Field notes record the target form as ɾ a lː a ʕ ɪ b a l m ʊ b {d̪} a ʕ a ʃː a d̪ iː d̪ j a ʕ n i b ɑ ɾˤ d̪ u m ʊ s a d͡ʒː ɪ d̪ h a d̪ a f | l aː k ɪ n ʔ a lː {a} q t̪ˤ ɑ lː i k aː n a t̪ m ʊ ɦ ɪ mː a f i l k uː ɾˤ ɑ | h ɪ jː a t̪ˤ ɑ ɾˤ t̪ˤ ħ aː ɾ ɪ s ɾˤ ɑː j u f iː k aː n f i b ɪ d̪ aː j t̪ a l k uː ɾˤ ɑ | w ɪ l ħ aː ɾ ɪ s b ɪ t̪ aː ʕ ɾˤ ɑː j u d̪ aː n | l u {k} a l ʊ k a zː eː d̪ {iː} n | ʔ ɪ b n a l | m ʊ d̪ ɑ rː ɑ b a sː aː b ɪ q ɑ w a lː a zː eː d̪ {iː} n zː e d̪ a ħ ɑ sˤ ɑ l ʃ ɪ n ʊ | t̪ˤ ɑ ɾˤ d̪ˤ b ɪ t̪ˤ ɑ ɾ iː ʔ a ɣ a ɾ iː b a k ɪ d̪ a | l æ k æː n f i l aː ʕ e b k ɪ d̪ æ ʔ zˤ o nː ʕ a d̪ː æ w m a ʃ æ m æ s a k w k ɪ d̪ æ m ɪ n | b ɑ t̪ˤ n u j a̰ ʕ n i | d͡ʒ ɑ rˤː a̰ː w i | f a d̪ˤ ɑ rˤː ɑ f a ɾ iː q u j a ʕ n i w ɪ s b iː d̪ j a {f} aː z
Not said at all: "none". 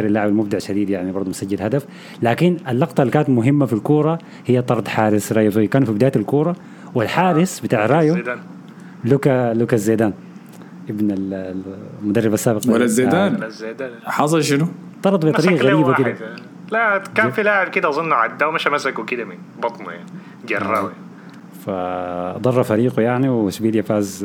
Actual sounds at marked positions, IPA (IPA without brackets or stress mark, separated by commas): d̪, ɑ, k, aː, aː, f